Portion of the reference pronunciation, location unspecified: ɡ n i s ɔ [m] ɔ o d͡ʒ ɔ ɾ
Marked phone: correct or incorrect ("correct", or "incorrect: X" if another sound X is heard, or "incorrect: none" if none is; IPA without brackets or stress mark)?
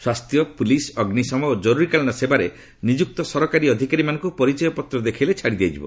correct